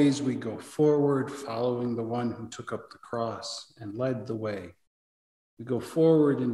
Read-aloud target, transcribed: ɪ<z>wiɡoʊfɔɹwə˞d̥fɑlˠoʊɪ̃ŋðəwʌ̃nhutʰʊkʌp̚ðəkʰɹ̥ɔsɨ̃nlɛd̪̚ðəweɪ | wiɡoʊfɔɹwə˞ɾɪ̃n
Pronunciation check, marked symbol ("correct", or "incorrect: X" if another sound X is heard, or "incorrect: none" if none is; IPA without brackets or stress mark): correct